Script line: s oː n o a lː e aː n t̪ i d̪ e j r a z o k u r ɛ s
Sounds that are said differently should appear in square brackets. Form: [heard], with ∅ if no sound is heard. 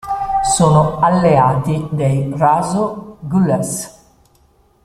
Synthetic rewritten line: s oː n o a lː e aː [∅] t̪ i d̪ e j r a z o [ɡ] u [l] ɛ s